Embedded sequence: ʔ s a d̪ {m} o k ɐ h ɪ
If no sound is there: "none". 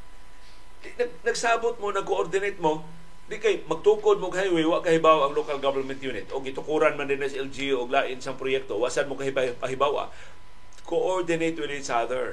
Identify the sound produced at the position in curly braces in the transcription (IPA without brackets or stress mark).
m